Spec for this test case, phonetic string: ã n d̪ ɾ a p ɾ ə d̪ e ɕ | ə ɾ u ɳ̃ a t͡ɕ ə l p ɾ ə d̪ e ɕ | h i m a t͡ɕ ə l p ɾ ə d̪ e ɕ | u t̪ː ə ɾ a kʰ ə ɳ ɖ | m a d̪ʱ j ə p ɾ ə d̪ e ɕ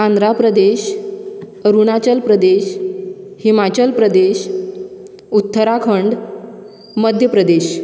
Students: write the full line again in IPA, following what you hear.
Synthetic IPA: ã n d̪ ɾ a p ɾ ə d̪ e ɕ | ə ɾ u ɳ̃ a t͡ɕ ə l p ɾ ə d̪ e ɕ | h i m a t͡ɕ ə l p ɾ ə d̪ e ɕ | u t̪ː ə ɾ a kʰ ə ɳ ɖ | m ə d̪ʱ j ə p ɾ ə d̪ e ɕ